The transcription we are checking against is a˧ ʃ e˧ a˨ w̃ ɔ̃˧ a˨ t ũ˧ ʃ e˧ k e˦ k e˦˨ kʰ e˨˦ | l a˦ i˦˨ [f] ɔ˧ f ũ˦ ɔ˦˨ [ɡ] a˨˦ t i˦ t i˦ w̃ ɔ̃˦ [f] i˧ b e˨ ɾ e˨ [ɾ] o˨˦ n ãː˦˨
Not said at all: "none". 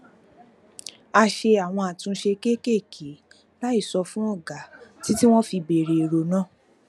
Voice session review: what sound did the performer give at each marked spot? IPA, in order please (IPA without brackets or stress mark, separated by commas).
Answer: s, ɡ, f, ɾ